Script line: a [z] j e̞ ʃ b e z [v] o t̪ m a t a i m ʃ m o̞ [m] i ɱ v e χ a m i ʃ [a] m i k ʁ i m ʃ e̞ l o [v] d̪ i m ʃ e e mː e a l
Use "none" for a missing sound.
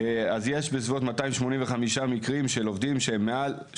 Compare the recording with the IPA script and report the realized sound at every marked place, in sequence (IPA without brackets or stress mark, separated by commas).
z, v, n, a, v